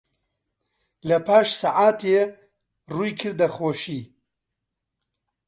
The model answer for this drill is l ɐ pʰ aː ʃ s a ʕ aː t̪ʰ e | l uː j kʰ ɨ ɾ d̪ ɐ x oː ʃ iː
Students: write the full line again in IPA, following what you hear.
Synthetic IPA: l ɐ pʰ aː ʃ s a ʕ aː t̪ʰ e | r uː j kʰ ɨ ɾ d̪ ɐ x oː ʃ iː